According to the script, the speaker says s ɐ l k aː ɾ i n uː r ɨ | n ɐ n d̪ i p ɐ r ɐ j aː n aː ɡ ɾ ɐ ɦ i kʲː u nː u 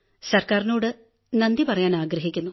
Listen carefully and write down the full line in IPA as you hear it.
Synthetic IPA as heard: s ɐ r k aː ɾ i n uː ɽ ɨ | n ɐ n d̪ i p ɐ r ɐ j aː n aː ɡ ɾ ɐ ɦ i kʲː u nː u